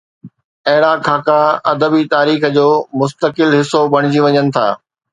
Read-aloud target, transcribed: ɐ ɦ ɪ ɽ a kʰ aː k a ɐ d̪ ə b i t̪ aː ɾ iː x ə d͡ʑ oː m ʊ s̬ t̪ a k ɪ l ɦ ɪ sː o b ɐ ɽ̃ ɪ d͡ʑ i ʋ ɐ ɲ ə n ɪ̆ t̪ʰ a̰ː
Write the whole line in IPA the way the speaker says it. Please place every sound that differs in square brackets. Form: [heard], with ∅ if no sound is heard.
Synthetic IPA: ɐ ɦ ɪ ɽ a kʰ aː k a ɐ d̪ ə b i t̪ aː ɾ iː x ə d͡ʑ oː m ʊ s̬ t̪ [ə] k ɪ l ɦ ɪ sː o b ɐ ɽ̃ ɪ d͡ʑ i ʋ ɐ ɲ ə n ɪ̆ t̪ʰ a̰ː